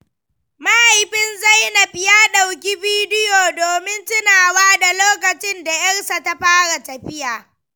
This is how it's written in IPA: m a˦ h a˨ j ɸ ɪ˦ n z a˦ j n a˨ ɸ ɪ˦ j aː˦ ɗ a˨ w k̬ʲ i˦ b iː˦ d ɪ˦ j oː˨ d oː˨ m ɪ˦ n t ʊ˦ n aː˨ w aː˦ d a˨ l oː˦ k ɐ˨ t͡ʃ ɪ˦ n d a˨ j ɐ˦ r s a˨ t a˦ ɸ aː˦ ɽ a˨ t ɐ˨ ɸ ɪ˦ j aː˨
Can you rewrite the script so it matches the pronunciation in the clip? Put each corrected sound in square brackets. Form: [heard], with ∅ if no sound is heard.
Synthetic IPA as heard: m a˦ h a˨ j ɸ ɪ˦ n z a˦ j n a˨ ɸ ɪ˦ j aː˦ ɗ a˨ w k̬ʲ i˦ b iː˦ d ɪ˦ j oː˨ d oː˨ m ɪ˦ n t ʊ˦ n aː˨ w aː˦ d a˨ l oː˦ k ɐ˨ t͡ʃ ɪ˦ n d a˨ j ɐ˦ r s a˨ t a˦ ɸ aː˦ ɽ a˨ t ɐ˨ ɸ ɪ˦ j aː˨